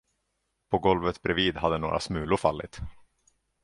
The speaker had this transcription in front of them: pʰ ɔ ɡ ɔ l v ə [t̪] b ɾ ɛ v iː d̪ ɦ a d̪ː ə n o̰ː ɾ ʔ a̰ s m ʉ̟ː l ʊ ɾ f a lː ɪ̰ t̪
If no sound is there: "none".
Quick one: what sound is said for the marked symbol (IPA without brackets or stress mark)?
t̪